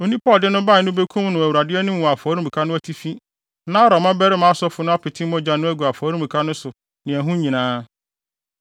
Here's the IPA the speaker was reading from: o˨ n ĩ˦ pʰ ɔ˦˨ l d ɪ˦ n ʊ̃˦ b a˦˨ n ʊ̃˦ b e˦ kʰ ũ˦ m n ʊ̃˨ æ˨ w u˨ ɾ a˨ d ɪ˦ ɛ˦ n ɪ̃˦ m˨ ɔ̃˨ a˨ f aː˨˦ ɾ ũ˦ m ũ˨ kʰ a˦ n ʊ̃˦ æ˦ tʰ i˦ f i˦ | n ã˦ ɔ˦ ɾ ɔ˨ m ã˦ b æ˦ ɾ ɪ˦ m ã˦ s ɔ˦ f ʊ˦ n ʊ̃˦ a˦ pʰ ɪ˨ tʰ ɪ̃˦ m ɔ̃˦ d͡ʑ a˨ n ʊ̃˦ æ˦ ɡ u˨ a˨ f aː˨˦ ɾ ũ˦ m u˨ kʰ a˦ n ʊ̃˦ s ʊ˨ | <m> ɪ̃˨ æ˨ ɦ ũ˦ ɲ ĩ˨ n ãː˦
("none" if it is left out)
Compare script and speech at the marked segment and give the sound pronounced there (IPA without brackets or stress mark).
n